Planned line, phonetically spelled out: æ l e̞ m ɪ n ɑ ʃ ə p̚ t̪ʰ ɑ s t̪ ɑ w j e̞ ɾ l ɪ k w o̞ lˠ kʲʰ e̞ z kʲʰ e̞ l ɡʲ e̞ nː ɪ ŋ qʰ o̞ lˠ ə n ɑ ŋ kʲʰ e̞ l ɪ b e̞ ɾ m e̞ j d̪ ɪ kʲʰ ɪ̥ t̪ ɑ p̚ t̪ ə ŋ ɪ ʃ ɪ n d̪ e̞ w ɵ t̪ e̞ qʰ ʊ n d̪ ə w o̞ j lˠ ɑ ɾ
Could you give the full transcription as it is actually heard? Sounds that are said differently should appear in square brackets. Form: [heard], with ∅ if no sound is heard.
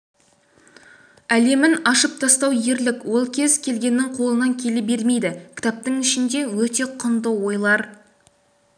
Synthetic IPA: æ l e̞ m ɪ n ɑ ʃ ə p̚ t̪ʰ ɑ s t̪ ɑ w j e̞ ɾ l ɪ k w o̞ lˠ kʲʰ e̞ z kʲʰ e̞ l ɡʲ e̞ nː ɪ ŋ qʰ o̞ lˠ ə n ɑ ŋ kʲʰ e̞ l ɪ b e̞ ɾ m e̞ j d̪ ɪ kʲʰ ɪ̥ t̪ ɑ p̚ t̪ ə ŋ ɪ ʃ ɪ n d̪ e̞ w ɵ t̪ e̞ qʰ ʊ n d̪ ə w o̞ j lˠ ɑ ɾ